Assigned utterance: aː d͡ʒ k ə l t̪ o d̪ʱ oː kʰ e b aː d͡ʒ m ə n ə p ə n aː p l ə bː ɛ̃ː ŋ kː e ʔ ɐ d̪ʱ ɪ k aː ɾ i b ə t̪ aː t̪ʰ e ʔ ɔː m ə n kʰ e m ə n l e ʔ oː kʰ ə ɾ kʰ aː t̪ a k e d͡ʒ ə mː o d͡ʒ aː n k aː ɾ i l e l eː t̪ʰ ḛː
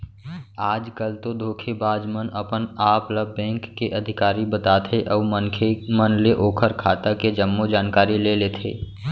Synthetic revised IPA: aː d͡ʒ k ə l t̪ o d̪ʱ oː kʰ e b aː d͡ʒ m ə n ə p ə n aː p l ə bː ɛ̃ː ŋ kː e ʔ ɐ d̪ʱ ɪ k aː ɾ i b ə t̪ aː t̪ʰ e ʔ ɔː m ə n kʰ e m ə n l e ʔ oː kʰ ə ɾ kʰ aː t̪ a k e d͡ʒ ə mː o d͡ʒ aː n k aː ɾ i l e l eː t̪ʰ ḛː